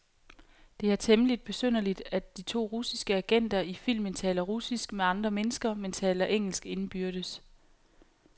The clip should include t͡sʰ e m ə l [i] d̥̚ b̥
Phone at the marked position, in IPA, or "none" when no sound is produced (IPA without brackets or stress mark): i